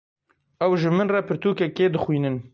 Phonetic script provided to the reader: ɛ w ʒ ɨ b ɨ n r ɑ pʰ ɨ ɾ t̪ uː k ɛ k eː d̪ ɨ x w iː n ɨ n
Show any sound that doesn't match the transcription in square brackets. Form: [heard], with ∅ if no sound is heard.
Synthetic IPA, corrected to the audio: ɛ w ʒ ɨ [m] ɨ n r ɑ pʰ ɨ ɾ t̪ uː k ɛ k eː d̪ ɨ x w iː n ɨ n